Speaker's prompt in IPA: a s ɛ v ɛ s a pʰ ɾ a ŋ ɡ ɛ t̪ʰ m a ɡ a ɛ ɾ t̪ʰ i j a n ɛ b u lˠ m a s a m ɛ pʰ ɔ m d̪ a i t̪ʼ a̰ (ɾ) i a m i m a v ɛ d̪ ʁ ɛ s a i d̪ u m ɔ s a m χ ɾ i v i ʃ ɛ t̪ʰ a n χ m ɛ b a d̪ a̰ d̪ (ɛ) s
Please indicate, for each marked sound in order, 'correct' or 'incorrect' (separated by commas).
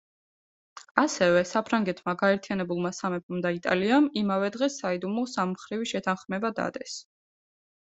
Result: incorrect, correct